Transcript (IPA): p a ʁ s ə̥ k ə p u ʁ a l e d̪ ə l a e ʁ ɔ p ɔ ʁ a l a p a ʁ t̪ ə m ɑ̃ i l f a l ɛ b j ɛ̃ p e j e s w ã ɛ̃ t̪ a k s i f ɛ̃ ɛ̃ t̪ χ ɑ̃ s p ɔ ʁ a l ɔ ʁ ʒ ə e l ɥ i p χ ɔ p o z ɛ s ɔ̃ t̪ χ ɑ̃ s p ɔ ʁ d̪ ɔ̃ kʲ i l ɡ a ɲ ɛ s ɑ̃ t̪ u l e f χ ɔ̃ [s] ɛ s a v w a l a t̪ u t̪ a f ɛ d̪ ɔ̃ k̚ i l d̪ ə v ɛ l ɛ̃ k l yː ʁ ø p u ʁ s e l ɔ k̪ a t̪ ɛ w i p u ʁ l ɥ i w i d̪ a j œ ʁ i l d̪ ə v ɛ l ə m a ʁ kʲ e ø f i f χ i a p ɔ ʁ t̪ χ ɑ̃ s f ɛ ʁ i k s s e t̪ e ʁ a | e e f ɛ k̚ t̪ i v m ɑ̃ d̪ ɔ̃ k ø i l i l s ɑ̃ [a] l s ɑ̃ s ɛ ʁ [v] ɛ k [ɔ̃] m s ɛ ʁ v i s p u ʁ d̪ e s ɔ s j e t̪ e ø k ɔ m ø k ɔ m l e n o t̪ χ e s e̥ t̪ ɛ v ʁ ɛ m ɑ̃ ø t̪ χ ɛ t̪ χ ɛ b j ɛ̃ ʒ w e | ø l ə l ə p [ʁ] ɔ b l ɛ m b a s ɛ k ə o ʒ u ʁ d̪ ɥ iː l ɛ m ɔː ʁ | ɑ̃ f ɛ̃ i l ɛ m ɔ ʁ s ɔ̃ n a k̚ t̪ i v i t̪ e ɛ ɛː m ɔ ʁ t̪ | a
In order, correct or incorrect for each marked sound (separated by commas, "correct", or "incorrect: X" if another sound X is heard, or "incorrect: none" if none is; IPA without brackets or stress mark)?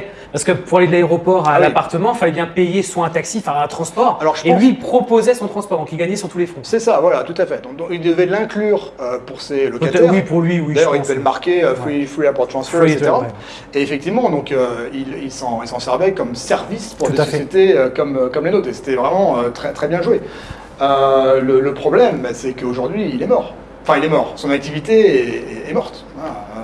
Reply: correct, incorrect: i, correct, incorrect: ɔ, incorrect: χ